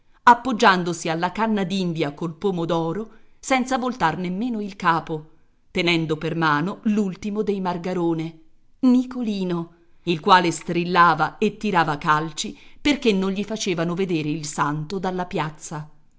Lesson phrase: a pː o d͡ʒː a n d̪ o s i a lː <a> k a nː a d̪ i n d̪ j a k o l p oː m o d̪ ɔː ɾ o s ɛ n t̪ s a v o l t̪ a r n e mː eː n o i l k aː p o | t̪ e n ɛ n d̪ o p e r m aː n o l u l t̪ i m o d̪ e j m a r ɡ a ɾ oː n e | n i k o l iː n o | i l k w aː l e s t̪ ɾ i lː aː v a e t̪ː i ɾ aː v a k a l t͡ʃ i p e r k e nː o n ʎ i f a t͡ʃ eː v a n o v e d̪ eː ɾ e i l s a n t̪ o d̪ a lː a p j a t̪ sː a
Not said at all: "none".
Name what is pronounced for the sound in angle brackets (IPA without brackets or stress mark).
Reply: a